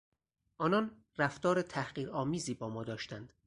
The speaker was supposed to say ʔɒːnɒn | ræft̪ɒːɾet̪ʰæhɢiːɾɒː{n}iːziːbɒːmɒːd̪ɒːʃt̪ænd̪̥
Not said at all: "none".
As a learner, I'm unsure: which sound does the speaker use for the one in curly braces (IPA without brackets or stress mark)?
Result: m